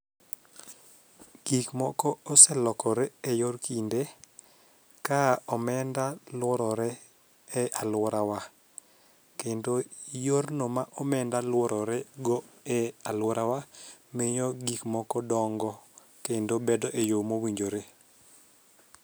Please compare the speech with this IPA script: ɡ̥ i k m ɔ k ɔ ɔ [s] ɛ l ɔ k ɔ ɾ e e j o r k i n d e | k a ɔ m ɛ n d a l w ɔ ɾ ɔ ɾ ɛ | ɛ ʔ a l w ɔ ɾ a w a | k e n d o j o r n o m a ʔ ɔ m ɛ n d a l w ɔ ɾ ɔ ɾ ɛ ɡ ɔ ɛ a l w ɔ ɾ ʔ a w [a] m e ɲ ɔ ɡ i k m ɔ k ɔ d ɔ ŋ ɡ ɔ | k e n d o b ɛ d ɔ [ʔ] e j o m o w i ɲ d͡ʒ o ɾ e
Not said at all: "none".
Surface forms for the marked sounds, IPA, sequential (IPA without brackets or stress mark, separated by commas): s, a, ʔ